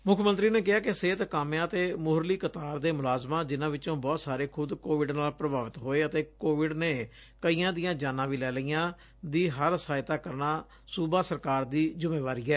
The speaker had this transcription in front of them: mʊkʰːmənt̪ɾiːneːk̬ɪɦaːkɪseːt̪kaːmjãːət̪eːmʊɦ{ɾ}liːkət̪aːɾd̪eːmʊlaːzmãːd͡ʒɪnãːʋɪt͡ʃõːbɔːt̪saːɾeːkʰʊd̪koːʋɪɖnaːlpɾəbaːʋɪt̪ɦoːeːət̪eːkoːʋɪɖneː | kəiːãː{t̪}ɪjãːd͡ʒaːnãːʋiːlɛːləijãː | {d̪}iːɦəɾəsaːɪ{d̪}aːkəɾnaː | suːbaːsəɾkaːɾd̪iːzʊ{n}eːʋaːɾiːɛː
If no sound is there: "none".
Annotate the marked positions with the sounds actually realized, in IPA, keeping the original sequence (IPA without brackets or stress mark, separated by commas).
ɾ, d̪, d̪, t̪, m